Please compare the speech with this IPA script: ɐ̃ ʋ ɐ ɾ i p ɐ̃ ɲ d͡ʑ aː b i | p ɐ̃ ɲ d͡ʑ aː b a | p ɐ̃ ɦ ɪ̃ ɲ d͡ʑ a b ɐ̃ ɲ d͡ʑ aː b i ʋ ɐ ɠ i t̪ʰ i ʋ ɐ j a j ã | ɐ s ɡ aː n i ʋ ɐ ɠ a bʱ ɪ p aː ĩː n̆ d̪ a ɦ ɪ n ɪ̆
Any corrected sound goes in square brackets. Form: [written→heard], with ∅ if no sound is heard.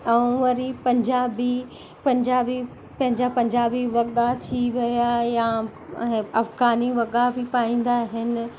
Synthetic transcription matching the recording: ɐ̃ ʋ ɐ ɾ i p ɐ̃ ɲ d͡ʑ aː b i | p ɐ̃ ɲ d͡ʑ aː b [a→i] | p ɐ̃ ɦ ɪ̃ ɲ d͡ʑ a [b→p] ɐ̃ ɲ d͡ʑ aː b i ʋ ɐ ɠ [i→a] t̪ʰ i ʋ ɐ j a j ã | ɐ [s→f] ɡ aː n i ʋ ɐ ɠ a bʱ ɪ p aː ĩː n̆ d̪ a ɦ ɪ n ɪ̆